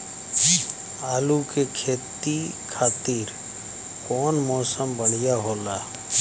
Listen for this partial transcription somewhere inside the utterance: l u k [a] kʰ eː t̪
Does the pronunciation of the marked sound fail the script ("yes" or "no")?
yes